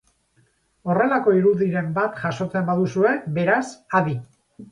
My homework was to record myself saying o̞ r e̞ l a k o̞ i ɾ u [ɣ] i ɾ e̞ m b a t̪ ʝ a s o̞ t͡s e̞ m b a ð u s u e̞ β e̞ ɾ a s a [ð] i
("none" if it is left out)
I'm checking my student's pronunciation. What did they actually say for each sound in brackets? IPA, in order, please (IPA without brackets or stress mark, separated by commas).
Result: ð, ð